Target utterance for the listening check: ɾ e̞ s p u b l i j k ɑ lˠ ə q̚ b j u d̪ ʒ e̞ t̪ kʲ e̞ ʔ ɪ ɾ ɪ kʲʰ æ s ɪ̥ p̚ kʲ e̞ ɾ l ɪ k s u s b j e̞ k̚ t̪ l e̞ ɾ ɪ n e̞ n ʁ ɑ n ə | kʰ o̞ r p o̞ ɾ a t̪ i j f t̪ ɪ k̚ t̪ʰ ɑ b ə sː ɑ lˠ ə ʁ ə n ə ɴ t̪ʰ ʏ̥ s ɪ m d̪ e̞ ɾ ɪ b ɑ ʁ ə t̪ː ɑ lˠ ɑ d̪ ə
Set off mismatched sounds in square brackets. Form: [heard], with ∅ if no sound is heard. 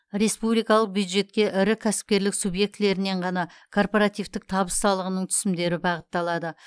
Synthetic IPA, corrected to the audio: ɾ e̞ s p u b l i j k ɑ lˠ ə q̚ b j u d̪ ʒ e̞ t̪ kʲ e̞ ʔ ɪ ɾ ɪ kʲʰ æ s ɪ̥ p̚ kʲ e̞ ɾ l ɪ k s u [∅] b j e̞ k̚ t̪ l e̞ ɾ ɪ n e̞ [ɴ] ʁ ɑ n [ɑ] | kʰ o̞ r p o̞ ɾ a t̪ i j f t̪ ɪ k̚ t̪ʰ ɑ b ə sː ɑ lˠ ə ʁ ə n ə ɴ t̪ʰ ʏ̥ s ɪ m d̪ e̞ ɾ ɪ b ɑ ʁ ə t̪ː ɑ lˠ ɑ d̪ ə